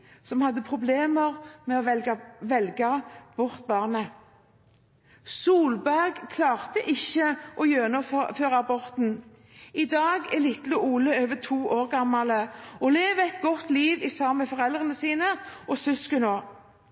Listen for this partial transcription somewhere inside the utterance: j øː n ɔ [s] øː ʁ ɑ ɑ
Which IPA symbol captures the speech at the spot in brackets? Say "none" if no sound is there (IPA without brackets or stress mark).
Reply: f